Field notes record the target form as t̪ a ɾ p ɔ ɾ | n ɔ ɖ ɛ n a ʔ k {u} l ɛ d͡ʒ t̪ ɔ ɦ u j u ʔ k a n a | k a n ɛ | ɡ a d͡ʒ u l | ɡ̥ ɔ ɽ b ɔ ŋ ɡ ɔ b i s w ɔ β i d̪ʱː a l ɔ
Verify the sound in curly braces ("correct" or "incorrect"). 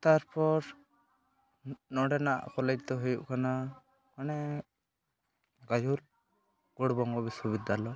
incorrect